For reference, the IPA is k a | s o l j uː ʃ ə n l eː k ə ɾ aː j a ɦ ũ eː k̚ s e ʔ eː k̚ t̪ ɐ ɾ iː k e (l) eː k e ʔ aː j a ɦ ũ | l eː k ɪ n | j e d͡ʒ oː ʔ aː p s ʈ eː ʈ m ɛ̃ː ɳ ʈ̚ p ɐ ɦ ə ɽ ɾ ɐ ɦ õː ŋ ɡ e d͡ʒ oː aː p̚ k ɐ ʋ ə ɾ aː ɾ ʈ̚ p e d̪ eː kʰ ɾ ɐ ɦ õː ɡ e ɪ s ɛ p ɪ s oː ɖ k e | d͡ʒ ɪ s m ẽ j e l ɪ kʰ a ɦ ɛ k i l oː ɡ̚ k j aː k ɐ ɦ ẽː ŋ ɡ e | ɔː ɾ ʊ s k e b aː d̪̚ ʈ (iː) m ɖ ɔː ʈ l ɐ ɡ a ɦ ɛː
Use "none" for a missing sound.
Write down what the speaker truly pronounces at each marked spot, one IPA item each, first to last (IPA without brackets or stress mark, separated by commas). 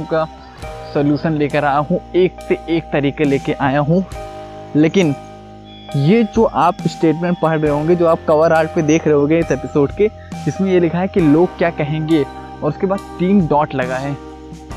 l, iː